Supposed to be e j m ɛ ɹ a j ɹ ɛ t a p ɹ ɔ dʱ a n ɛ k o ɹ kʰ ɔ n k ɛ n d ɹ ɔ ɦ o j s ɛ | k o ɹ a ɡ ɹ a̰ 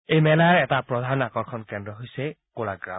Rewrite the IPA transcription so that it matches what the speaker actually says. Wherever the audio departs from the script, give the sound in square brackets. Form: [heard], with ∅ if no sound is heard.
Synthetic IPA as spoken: e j m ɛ [l] a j ɹ ɛ t a p ɹ ɔ dʱ a n [a] k [ɔ] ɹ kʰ ɔ n k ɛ n d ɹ ɔ ɦ o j s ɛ | k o [l] a ɡ ɹ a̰